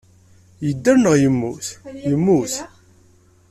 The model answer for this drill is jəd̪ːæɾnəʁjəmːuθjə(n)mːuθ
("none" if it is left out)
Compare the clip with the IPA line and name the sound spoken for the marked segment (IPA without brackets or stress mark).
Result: none